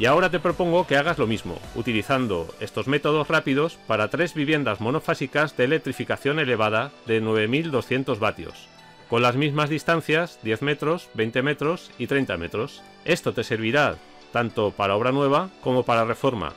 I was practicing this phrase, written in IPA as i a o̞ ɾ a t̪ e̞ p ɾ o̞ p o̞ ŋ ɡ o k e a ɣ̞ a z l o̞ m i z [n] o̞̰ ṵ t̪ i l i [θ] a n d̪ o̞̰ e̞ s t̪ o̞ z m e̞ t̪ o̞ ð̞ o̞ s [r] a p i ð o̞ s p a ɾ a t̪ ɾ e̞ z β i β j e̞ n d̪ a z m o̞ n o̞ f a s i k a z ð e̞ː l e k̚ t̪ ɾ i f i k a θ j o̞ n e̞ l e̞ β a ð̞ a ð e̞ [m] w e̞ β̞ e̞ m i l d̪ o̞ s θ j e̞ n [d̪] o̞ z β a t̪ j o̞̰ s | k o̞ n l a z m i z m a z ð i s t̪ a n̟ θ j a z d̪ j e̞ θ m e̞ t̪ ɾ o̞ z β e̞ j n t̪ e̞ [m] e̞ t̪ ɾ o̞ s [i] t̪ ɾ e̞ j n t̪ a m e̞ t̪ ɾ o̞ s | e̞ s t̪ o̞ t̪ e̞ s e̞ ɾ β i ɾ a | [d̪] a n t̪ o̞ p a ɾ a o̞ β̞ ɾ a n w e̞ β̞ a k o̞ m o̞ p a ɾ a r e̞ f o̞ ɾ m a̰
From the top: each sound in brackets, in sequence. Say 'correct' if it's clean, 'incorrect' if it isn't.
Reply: incorrect: m, correct, correct, incorrect: n, incorrect: t̪, correct, correct, incorrect: t̪

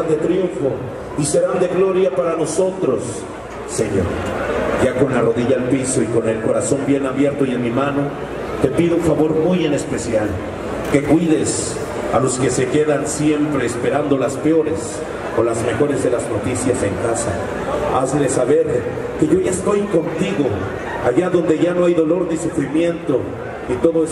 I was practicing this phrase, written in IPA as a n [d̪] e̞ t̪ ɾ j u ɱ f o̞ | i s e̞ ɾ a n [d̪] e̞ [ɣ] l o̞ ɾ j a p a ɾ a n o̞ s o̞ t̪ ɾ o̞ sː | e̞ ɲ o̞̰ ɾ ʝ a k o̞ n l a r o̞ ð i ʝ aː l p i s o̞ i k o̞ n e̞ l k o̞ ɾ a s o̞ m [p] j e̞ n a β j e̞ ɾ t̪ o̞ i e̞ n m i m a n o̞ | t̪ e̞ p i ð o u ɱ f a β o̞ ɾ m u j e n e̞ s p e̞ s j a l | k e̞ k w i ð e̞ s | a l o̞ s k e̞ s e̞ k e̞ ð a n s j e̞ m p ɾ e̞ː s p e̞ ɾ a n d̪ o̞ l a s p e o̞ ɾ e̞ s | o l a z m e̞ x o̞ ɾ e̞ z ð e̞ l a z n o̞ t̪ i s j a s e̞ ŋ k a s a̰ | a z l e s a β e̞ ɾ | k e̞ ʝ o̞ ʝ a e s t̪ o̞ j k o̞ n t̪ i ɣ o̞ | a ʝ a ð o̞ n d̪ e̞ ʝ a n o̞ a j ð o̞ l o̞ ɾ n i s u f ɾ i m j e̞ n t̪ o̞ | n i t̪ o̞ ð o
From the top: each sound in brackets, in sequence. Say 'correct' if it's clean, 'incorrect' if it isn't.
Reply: correct, correct, correct, incorrect: b

